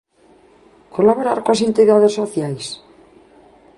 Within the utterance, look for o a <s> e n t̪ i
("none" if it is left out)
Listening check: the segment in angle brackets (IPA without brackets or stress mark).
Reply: s